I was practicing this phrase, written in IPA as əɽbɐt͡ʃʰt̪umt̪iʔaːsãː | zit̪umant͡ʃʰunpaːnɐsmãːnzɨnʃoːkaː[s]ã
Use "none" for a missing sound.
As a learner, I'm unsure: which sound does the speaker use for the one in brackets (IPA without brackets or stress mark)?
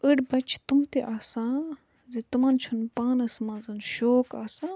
s